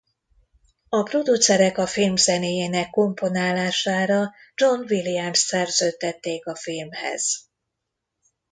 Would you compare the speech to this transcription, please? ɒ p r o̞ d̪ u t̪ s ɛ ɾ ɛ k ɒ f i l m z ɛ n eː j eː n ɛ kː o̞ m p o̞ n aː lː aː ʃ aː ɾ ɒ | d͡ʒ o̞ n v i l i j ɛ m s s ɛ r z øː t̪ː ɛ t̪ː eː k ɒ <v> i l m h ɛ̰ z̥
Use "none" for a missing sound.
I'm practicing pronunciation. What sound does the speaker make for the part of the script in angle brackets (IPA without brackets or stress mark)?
f